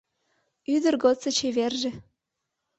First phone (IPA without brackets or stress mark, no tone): y